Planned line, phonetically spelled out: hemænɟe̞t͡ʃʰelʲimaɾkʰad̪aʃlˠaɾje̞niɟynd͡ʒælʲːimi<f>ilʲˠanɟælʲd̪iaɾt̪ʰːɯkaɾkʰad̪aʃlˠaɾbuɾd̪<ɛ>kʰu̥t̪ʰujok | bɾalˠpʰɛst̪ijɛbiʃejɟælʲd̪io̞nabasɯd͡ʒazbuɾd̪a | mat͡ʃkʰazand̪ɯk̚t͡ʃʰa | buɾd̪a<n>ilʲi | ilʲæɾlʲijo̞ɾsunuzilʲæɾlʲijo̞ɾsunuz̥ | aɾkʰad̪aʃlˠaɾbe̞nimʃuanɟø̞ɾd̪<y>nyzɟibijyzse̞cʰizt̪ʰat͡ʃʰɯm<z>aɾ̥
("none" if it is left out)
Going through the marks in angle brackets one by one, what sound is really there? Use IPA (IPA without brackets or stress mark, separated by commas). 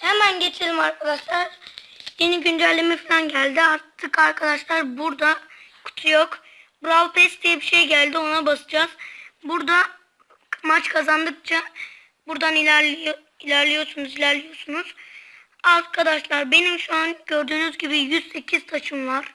f, a, n, yː, v